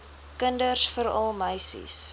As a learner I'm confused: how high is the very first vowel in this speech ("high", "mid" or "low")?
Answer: mid